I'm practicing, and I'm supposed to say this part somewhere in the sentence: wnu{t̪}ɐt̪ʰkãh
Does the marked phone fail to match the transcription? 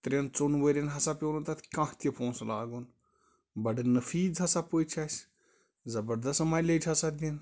no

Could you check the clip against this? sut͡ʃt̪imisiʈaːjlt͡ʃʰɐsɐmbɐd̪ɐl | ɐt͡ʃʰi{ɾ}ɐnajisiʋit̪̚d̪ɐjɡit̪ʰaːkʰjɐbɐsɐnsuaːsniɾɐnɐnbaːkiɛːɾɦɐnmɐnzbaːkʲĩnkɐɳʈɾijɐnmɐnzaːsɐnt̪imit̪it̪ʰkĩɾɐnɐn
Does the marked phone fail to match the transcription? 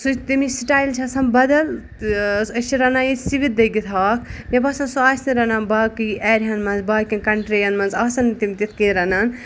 no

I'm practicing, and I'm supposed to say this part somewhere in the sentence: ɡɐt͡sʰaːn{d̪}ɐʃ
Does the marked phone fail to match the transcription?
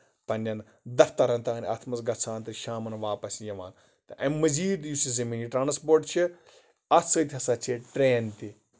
yes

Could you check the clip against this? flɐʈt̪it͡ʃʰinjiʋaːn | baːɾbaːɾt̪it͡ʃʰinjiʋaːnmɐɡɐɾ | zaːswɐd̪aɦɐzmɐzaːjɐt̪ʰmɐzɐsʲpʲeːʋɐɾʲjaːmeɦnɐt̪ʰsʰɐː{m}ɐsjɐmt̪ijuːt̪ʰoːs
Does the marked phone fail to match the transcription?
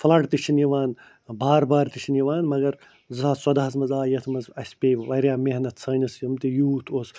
yes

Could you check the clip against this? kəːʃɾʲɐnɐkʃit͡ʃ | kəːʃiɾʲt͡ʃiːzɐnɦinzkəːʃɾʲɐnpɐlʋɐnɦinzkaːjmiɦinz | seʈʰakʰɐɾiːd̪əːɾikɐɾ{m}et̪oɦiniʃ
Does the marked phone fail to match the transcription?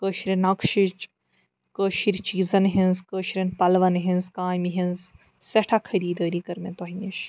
no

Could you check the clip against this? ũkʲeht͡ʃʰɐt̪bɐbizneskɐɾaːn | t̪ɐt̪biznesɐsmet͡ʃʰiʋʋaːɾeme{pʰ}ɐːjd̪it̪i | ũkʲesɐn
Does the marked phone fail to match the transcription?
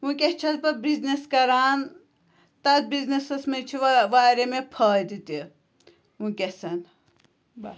no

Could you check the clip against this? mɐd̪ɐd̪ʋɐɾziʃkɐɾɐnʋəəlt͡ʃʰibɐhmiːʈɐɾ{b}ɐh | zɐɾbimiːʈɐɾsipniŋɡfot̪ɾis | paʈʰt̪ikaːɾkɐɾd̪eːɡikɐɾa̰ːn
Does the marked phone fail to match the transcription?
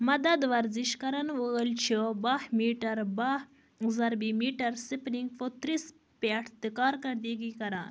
no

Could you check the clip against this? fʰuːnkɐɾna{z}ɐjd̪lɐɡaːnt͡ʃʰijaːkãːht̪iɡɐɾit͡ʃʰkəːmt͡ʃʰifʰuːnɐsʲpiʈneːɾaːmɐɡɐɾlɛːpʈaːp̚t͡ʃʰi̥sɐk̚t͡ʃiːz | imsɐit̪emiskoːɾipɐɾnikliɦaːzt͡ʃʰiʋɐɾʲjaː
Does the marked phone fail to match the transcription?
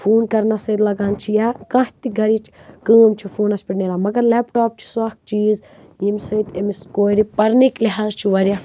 yes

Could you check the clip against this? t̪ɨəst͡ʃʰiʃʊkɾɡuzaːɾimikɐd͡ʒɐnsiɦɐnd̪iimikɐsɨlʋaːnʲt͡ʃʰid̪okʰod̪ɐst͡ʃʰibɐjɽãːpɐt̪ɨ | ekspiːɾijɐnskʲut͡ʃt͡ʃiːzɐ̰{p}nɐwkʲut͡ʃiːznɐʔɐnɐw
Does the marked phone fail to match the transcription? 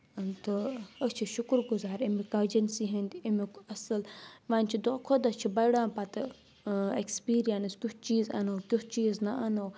yes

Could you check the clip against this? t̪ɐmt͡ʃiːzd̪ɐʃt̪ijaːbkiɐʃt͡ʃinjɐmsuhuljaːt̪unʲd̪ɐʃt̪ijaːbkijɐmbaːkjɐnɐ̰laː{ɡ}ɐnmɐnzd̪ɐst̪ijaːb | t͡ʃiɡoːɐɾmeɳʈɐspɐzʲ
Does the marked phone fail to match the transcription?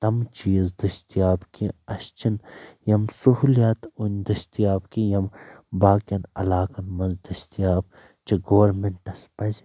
yes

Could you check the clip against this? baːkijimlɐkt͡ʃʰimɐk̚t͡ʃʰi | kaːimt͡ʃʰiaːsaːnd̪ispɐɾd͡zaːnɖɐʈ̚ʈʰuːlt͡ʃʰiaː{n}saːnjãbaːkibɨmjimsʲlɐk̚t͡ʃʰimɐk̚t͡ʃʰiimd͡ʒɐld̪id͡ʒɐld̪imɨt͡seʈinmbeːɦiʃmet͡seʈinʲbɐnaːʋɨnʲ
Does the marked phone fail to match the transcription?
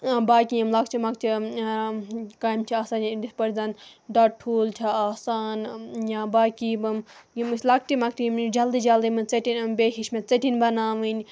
yes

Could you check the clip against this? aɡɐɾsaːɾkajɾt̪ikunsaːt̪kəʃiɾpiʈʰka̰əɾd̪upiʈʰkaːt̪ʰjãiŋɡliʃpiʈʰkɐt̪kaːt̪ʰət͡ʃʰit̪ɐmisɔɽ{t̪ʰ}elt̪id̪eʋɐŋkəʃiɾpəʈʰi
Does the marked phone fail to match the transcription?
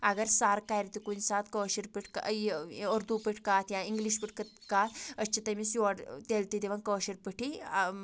yes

